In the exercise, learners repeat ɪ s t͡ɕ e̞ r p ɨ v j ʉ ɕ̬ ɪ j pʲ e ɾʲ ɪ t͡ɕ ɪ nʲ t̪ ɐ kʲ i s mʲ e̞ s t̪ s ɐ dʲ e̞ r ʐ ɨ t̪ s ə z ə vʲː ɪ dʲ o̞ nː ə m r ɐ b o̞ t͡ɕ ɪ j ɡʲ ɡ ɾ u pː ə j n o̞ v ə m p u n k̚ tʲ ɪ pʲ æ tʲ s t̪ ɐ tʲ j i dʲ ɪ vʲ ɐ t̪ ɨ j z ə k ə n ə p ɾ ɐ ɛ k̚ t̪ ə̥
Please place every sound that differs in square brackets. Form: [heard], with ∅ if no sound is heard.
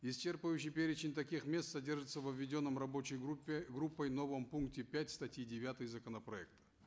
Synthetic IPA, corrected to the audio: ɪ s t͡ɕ e̞ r p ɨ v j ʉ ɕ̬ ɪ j pʲ e ɾʲ ɪ t͡ɕ ɪ nʲ t̪ ɐ kʲ i [x] mʲ e̞ s t̪ s ɐ dʲ e̞ r ʐ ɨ t̪ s ə [v] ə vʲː ɪ dʲ o̞ nː ə m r ɐ b o̞ t͡ɕ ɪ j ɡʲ ɡ ɾ u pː ə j n o̞ v ə m p u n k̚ tʲ ɪ pʲ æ tʲ s t̪ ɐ tʲ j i dʲ ɪ vʲ [a] t̪ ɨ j z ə k ə n ə p ɾ ɐ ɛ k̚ t̪ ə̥